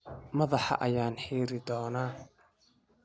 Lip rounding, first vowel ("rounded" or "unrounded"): unrounded